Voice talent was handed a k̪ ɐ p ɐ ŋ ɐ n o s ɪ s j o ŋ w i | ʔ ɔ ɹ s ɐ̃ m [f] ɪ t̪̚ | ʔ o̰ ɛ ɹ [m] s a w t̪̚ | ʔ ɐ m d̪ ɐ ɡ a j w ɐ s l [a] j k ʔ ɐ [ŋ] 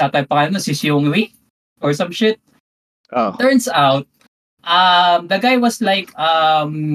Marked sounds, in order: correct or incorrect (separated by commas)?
incorrect, incorrect, correct, incorrect